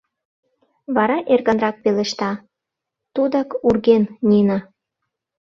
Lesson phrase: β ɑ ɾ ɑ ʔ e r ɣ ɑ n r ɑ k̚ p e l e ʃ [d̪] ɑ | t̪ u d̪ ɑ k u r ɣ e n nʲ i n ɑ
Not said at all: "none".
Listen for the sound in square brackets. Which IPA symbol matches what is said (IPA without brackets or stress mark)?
t̪